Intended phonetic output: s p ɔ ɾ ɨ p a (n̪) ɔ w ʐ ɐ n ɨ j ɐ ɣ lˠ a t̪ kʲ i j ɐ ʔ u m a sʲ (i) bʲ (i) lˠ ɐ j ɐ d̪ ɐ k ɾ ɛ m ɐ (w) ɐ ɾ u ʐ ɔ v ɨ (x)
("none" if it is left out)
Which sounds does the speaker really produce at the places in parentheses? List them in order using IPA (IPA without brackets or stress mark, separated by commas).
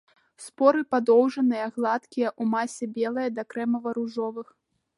d̪, ɛ, ɛ, v, x